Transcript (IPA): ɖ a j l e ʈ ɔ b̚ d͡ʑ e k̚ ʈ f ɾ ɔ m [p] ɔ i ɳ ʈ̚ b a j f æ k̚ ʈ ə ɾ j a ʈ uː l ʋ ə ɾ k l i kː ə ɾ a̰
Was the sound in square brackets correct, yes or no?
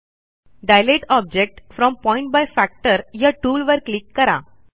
yes